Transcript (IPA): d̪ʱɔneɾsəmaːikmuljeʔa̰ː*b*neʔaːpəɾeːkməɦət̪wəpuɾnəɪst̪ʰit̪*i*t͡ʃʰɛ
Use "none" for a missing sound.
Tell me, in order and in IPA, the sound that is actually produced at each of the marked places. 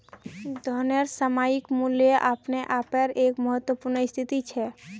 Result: p, i

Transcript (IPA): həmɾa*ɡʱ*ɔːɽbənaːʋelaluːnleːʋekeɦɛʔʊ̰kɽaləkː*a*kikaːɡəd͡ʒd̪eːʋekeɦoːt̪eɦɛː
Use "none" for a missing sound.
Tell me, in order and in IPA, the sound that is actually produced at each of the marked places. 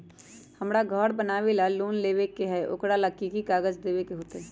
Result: ɡʱ, i

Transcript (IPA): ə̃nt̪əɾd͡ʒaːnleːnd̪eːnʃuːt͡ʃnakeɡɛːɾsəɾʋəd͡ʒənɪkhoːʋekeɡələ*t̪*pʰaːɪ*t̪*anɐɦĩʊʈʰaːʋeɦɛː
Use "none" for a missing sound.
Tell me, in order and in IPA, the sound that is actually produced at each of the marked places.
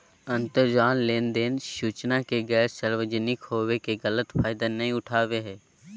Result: t̪, d̪

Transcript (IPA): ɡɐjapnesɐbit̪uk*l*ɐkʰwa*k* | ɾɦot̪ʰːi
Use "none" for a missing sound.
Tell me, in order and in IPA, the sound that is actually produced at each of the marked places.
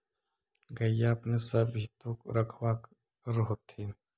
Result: ɾ, k

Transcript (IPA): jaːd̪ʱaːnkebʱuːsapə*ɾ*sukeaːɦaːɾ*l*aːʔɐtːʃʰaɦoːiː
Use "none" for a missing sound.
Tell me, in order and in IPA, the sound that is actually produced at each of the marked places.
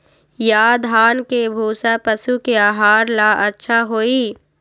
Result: none, l

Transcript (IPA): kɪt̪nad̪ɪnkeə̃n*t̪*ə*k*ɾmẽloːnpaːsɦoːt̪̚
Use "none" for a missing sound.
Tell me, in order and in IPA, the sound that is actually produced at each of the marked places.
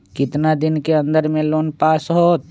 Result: d̪, none

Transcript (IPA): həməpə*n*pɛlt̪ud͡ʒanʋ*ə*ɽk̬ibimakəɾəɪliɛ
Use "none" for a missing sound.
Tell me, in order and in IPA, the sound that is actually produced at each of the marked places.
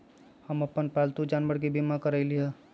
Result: n, ə

